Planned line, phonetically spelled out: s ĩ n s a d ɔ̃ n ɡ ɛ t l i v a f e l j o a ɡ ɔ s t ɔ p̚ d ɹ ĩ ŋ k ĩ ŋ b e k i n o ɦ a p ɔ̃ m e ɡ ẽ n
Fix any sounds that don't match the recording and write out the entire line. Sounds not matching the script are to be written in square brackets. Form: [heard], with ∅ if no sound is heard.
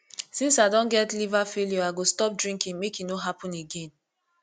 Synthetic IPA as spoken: s ĩ n s a d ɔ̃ n ɡ ɛ t l i v a f e l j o a ɡ [o] s t ɔ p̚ d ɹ ĩ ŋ k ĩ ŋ [m] e k i n o ɦ a p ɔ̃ [n] e ɡ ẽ n

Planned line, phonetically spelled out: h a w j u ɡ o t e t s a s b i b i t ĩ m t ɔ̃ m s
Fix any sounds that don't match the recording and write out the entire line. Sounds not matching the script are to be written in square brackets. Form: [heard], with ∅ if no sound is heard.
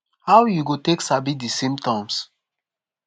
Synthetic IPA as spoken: h a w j u ɡ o t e [k] s a [∅] b i [d] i [s] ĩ m t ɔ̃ m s

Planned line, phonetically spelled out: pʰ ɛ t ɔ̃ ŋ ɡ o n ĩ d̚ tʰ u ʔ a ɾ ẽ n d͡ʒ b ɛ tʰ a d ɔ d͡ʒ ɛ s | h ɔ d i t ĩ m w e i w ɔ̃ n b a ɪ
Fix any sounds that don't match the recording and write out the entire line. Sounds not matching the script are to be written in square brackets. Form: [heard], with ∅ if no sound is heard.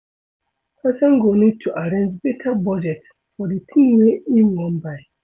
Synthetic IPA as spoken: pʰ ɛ [s] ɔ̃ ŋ ɡ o n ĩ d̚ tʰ u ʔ a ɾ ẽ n d͡ʒ b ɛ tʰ a [b] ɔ d͡ʒ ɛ [t] | [f] ɔ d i [tʰ] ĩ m w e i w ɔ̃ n b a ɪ

